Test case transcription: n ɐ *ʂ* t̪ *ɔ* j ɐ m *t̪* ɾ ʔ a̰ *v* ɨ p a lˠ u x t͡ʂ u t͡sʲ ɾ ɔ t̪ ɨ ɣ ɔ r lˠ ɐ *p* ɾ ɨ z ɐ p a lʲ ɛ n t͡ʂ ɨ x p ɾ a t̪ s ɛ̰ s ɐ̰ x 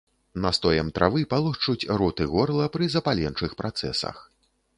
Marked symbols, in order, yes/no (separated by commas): no, yes, yes, yes, yes